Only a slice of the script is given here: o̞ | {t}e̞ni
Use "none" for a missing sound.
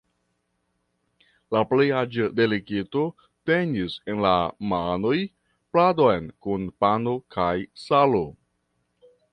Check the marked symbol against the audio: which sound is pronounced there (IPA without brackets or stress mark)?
t